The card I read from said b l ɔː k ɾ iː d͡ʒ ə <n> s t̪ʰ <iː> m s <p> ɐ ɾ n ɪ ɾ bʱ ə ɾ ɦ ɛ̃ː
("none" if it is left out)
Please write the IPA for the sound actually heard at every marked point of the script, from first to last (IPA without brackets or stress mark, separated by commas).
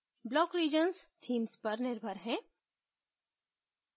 n, iː, p